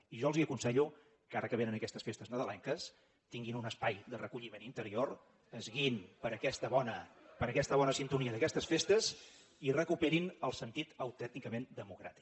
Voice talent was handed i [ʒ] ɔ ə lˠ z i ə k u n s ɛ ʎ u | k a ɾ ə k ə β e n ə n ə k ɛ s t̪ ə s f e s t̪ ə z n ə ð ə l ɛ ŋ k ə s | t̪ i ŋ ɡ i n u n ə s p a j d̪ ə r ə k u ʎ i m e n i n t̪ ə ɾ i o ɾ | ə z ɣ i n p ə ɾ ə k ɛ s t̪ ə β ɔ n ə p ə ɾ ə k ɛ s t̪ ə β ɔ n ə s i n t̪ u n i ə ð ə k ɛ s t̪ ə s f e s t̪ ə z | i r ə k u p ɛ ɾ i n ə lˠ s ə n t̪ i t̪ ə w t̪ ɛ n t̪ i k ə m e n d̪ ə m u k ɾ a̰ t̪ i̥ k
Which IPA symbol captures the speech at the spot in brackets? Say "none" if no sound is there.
ʒ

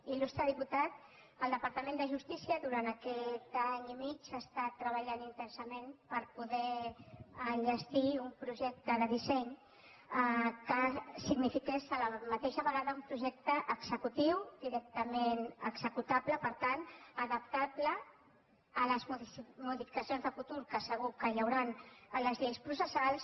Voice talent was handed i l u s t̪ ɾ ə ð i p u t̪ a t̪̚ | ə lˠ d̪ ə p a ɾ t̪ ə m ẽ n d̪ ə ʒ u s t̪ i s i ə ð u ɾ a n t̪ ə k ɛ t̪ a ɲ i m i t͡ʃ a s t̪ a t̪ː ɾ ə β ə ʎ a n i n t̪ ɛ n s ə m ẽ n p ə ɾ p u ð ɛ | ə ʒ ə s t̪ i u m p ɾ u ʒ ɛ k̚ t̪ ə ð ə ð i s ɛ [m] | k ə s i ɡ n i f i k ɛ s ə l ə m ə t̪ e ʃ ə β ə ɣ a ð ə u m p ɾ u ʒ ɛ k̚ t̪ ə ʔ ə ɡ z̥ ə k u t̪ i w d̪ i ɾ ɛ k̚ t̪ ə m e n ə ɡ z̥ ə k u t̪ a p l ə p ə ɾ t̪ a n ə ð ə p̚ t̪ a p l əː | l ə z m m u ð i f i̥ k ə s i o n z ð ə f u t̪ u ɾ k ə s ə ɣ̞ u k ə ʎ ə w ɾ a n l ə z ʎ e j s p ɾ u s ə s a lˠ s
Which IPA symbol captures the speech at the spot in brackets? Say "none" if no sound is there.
ɲ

